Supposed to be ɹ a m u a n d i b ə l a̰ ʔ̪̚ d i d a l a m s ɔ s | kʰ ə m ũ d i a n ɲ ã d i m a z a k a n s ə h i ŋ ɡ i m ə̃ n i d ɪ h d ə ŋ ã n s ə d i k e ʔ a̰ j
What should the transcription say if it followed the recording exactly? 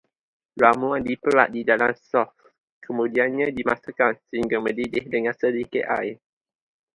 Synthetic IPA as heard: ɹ a m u a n d i p ə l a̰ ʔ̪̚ d i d a l a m s ɔ f | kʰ ə m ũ d i a n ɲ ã d i m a s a k a n s ə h i ŋ ɡ a m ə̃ d i d ɪ h d ə ŋ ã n s ə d i k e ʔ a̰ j

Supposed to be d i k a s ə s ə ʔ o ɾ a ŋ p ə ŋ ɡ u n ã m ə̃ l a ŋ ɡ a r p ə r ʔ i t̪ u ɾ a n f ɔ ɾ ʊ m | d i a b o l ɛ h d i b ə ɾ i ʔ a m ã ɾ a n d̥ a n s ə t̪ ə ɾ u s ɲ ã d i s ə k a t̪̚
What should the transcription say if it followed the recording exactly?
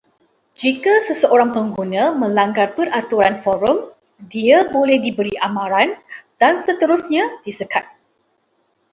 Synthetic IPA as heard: d͡ʒ i k a s ə s ə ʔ o ɾ a ŋ p ə ŋ ɡ u n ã m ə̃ l a ŋ ɡ a r p ə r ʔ a t̪ u ɾ a n f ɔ ɾ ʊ m | d i a b o l ɛ h d i b ə ɾ i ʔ a m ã ɾ a n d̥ a n s ə t̪ ə ɾ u s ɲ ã d i s ə k a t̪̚

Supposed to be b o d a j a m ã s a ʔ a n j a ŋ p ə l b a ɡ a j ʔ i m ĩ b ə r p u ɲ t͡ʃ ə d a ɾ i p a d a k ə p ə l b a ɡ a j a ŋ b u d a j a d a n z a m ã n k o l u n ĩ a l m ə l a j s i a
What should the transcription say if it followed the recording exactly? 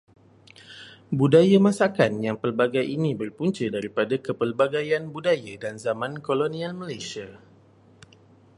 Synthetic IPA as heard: b u d a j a m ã s a k a n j a ŋ p ə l b a ɡ a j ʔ i n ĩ b ə r p u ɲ t͡ʃ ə d a ɾ i p a d a k ə p ə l b a ɡ a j a n b u d a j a d a n z a m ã n k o l o n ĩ a l m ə l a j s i a

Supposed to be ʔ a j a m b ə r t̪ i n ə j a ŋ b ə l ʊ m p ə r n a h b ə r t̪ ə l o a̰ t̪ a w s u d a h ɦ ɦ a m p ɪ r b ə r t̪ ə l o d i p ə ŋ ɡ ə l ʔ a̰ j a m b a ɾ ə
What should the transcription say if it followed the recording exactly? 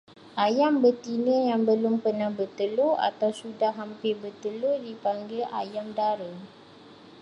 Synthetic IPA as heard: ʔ a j a m b ə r t̪ i n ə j a ŋ b ə l ʊ m p ə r n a h b ə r t̪ ə l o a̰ t̪ a w s u d a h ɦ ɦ a m p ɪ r b ə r t̪ ə l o d i p a ŋ ɡ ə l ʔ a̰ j a m d a ɾ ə

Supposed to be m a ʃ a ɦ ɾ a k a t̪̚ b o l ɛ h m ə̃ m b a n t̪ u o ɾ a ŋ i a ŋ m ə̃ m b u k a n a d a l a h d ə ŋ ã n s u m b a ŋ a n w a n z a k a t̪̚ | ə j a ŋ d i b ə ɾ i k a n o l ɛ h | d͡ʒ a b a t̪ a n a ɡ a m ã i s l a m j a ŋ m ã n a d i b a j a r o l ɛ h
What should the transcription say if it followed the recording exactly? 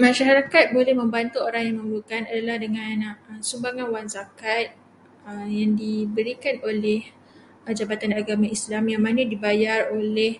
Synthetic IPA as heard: m a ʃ a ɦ ɾ a k a t̪̚ b o l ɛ h m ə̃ m b a n t̪ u o ɾ a ŋ j a ŋ m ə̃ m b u k a n a d a l a h d ə ŋ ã n s u m b a ŋ a n w a n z a k a t̪̚ | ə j a ŋ d i b ə ɾ i k a n o l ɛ h | d͡ʒ a b a t̪ a n a ɡ a m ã i s l a m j a ŋ m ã n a d i b a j a r o l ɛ h

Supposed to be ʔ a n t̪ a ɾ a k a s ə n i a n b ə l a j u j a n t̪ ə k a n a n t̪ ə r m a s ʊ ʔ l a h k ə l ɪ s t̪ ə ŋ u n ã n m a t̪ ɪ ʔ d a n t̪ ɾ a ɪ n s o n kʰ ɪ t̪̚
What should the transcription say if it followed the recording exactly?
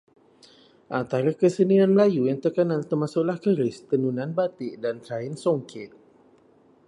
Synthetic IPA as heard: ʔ a n t̪ a ɾ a k ə s ə n i a n m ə l a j u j a ŋ t̪ ə k a n a n t̪ ə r m a s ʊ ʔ l a h k ə ɾ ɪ s t̪ ə n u n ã n b a t̪ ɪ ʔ d a n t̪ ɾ a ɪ n s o ŋ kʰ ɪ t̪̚

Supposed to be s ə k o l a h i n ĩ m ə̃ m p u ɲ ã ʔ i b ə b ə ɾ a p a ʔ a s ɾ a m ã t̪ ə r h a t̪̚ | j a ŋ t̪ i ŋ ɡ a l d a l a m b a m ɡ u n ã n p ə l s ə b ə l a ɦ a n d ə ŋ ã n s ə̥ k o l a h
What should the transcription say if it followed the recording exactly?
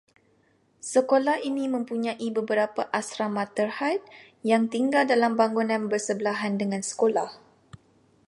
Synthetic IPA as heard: s ə k o l a h i n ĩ m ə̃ m p u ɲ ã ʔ i b ə b ə ɾ a p a ʔ a s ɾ a m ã t̪ ə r h a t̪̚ | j a ŋ t̪ i ŋ ɡ a l d a l a m b a ŋ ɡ u n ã n b ə r s ə b ə l a ɦ a n d ə ŋ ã n s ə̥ k o l a h

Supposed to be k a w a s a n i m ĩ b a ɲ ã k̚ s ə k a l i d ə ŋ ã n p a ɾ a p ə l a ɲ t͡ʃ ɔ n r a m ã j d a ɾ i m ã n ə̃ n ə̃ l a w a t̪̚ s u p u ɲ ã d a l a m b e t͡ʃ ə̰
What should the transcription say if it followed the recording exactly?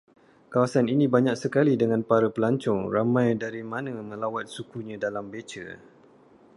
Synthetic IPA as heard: k a w a s a n i n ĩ b a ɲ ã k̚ s ə k a l i d ə ŋ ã n p a ɾ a p ə l a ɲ t͡ʃ ɔ ŋ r a m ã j d a ɾ i m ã n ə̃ m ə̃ l a w a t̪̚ s u k u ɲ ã d a l a m b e t͡ʃ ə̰

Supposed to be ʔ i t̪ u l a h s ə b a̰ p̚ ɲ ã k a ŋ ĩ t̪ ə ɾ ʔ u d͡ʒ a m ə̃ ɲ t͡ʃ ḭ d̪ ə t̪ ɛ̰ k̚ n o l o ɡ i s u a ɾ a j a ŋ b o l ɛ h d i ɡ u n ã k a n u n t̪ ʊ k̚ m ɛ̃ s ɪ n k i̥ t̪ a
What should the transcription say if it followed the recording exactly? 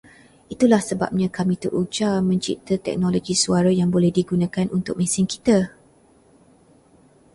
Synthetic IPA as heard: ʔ i t̪ u l a h s ə b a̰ p̚ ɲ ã k a m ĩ t̪ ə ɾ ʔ u d͡ʒ a m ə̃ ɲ t͡ʃ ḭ t̪ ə t̪ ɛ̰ k̚ n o l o ɡ i s u a ɾ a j a ŋ b o l ɛ h d i ɡ u n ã k a n u n t̪ ʊ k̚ m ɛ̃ s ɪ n k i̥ t̪ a

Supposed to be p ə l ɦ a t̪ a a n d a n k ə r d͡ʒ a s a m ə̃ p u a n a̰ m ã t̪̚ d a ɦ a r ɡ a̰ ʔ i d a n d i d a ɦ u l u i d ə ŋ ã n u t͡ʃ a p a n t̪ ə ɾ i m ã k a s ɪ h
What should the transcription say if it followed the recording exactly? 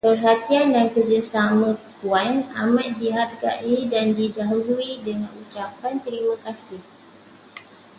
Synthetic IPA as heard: p ə r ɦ a t̪ i a n d a n k ə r d͡ʒ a s a m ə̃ p u a n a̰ m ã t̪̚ d i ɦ a r ɡ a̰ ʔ i d a n d i d a ɦ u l u i d ə ŋ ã n u t͡ʃ a p a n t̪ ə ɾ i m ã k a s ɪ h

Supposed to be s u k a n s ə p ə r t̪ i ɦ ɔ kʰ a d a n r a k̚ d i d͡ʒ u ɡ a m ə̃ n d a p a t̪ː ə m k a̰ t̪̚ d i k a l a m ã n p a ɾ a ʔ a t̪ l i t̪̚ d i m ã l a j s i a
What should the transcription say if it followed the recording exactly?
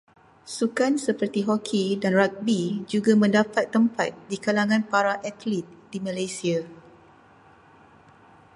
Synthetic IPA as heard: s u k a n s ə p ə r t̪ i ɦ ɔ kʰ i d a n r a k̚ b i d͡ʒ u ɡ a m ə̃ n d a p a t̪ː ə m p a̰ t̪̚ d i k a l a ŋ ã n p a ɾ a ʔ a t̪ l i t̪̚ d i m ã l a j s i a

